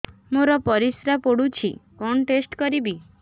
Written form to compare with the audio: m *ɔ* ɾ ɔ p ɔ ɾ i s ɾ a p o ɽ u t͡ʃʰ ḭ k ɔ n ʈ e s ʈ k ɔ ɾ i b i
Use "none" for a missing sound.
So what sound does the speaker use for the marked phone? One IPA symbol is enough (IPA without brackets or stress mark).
o